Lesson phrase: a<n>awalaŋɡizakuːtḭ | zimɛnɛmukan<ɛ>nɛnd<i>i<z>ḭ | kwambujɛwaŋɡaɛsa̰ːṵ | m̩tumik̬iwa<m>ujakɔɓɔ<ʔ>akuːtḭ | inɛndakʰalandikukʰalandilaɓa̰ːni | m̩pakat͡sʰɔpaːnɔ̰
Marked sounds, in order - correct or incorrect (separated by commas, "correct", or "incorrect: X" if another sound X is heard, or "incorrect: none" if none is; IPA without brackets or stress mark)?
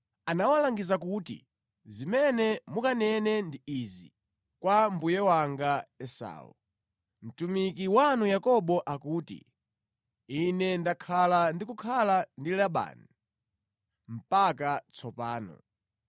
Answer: correct, correct, correct, correct, incorrect: n, correct